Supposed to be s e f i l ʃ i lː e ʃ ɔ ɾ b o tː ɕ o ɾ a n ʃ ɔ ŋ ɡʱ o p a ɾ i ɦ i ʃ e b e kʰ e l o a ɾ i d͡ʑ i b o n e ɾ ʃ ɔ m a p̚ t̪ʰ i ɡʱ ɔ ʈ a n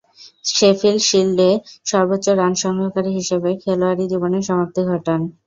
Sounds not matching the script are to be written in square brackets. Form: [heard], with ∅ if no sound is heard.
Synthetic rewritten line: [ʃ] e f i l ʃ i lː e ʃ ɔ ɾ b o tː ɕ o ɾ a n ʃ ɔ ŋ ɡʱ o [k] a ɾ i ɦ i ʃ e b e kʰ e l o a ɾ i d͡ʑ i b o n e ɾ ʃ ɔ m a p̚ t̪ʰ i ɡʱ ɔ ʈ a n